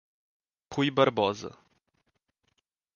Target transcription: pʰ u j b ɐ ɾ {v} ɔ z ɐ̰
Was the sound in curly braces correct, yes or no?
no